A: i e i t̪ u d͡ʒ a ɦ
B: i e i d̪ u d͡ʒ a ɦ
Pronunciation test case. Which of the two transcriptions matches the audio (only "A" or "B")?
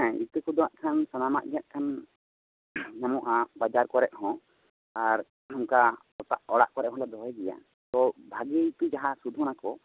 A